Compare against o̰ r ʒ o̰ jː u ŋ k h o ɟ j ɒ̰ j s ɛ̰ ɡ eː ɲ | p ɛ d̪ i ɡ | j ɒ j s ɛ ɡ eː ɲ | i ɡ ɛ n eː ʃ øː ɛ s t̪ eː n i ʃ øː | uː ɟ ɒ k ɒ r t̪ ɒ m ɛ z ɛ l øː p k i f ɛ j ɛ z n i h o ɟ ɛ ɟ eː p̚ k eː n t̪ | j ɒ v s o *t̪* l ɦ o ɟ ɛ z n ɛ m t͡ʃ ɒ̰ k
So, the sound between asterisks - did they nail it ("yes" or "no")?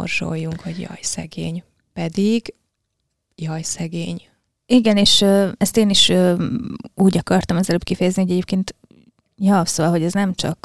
no